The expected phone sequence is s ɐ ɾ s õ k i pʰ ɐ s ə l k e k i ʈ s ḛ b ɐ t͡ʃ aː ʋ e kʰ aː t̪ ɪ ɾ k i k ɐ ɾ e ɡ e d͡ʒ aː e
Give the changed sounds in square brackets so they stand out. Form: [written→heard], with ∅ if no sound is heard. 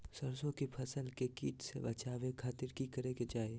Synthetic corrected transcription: s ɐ ɾ s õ k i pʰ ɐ s ə l k e k [i→iː] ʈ s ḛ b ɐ t͡ʃ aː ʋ e kʰ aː t̪ ɪ ɾ k i k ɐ ɾ e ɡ e d͡ʒ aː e

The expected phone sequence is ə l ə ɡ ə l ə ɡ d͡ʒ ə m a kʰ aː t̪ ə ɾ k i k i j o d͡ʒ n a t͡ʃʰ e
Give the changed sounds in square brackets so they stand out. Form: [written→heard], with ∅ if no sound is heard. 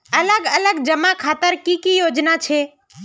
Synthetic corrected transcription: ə l ə ɡ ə l ə ɡ d͡ʒ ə m a kʰ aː t̪ ə ɾ k i k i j o d͡ʒ n a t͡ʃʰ e

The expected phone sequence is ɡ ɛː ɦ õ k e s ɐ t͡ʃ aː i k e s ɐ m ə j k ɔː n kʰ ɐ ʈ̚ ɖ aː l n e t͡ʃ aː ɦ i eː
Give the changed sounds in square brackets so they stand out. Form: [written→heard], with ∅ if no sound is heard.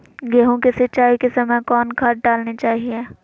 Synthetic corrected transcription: ɡ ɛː ɦ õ k e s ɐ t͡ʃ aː i k e s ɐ m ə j k ɔː n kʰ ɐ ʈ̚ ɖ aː l n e t͡ʃ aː ɦ i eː

